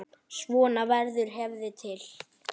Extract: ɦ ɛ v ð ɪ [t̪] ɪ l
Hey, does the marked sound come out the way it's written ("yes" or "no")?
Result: no